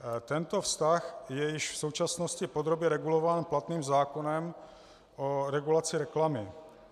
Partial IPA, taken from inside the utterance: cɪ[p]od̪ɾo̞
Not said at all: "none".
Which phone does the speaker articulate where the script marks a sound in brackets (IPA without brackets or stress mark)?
p